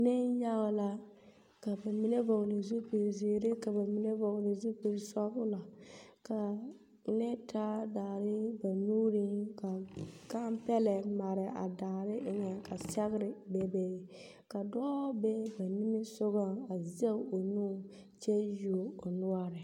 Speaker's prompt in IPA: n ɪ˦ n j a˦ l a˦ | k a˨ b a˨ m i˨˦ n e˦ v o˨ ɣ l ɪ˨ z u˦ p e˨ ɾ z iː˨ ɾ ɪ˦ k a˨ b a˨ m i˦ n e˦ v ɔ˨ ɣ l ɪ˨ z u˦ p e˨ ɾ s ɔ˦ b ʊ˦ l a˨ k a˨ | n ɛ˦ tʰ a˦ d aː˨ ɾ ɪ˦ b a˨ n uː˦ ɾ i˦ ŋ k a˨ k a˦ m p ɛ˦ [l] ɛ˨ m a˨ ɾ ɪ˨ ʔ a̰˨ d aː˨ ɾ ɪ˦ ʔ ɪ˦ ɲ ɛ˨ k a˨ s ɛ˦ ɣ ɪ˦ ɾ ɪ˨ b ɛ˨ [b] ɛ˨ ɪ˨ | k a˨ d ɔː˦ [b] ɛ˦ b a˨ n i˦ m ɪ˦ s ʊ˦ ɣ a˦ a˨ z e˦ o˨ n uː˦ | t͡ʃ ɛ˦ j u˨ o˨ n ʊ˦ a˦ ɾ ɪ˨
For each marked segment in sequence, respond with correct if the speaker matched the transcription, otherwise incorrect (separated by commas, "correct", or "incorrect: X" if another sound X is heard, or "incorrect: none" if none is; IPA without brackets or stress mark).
correct, correct, correct